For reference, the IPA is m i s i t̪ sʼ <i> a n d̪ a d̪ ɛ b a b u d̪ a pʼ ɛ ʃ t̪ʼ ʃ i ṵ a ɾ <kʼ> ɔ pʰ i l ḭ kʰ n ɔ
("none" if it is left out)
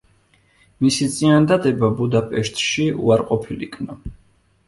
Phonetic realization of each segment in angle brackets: i, qʼ

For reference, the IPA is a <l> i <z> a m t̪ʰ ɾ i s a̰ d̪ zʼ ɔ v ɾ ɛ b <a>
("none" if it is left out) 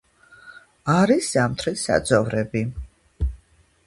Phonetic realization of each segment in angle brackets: ɾ, s, i

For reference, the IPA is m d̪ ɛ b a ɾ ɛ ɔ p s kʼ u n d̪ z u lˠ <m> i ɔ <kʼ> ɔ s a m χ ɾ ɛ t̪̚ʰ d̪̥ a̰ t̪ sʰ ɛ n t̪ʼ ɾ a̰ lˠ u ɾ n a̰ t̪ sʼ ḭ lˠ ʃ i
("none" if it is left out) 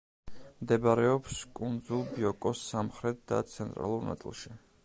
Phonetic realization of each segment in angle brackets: b, kʼ

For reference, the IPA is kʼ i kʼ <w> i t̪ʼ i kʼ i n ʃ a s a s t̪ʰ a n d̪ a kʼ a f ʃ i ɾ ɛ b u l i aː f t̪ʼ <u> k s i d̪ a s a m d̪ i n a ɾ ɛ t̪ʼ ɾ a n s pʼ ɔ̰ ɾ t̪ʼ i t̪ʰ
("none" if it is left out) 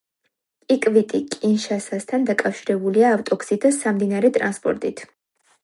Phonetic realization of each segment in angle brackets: v, ɔ

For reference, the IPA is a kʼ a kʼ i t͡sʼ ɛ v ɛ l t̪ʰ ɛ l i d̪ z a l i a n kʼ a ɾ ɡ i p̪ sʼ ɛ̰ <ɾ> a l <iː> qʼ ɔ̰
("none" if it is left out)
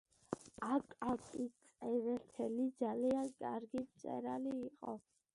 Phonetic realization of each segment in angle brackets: ɾ, iː

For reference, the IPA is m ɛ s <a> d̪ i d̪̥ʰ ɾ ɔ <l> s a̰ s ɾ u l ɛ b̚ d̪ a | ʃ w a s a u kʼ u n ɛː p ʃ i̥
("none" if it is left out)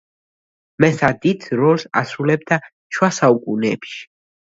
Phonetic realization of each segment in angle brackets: a, l

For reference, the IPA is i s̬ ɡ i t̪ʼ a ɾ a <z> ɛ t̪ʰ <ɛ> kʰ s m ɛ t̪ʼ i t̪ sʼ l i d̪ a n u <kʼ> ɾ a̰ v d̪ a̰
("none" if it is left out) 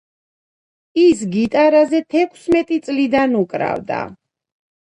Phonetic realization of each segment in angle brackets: z, ɛ, kʼ

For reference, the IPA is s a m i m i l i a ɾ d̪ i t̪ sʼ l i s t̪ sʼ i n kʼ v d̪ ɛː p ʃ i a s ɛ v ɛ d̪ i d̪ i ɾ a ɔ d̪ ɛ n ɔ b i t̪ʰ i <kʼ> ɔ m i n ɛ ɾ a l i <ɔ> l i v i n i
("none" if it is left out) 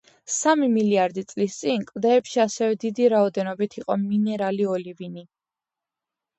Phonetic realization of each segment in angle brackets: qʼ, ɔ

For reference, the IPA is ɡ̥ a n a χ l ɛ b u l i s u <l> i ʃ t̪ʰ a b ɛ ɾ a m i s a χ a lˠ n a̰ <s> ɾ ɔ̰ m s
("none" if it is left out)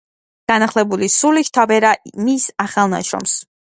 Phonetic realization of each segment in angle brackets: l, ʃ

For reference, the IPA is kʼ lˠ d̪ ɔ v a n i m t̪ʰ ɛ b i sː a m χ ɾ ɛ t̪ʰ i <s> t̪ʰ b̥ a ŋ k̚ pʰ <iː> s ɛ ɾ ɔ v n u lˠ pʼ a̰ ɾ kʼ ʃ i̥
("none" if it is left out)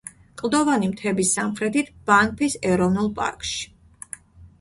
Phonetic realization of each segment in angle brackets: none, i

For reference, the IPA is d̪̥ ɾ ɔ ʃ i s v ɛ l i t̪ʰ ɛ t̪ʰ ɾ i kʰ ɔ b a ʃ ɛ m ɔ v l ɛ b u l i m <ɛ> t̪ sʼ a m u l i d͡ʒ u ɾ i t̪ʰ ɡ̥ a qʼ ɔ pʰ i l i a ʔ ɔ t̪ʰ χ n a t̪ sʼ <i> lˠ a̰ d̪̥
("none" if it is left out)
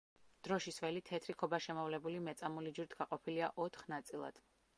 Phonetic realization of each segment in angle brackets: ɛ, i

